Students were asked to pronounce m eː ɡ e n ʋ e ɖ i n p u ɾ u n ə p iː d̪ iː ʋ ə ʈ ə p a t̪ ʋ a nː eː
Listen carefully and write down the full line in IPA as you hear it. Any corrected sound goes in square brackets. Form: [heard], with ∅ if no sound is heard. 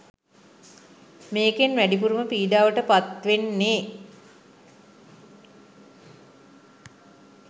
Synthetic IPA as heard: m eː [k] e n ʋ [æ] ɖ i [∅] p u ɾ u [m] ə p iː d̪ [aː] ʋ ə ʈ ə p a t̪ ʋ [e] nː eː